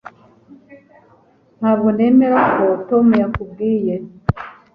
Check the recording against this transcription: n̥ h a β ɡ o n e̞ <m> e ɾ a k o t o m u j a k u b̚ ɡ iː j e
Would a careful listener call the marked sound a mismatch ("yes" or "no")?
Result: no